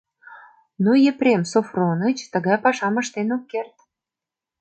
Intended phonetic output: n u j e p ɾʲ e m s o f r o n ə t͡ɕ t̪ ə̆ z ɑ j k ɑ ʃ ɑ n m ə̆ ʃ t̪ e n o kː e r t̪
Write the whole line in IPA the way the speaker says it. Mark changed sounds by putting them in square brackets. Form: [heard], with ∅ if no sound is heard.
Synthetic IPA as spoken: n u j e p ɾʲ e m s o f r o n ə t͡ɕ t̪ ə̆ [ɣ] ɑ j [p] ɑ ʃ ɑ [∅] m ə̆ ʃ t̪ e n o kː e r t̪